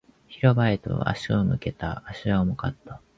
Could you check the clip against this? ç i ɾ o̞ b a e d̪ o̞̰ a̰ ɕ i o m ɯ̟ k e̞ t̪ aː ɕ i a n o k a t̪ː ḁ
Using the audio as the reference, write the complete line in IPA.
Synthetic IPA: ç i ɾ o̞ b a e t̪ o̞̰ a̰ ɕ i o m ɯ̟ k e̞ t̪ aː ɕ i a m o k a t̪ː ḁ